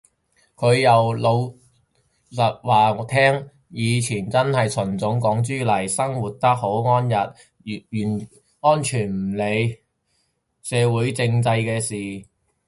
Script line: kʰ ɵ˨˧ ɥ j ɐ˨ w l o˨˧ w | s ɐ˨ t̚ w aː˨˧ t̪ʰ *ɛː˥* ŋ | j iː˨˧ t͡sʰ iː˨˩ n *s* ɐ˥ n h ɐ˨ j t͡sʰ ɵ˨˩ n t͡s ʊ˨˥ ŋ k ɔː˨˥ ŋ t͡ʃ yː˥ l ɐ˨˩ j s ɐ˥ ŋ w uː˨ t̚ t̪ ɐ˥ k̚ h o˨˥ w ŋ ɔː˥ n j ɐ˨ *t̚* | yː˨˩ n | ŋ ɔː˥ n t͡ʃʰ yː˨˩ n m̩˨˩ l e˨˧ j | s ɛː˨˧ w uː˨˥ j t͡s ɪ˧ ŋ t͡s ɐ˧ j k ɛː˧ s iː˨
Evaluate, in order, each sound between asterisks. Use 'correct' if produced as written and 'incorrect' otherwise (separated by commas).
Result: correct, incorrect, correct